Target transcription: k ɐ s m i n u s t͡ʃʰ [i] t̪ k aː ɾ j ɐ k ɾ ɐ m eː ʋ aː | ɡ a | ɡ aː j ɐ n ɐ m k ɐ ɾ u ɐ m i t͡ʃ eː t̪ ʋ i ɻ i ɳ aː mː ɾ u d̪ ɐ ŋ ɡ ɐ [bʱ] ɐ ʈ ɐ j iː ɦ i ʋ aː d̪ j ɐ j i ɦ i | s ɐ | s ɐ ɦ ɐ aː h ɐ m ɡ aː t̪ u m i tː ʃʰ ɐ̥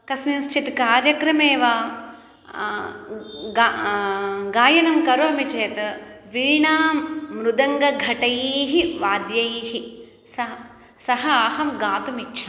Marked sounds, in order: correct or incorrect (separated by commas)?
correct, incorrect